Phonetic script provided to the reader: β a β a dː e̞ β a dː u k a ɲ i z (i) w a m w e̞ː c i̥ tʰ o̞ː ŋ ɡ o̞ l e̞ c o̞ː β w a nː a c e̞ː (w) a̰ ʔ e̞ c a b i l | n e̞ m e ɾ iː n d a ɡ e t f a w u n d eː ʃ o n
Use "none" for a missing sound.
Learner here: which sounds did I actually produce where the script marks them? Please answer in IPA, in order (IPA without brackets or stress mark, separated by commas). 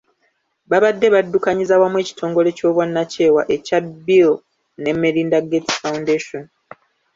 a, w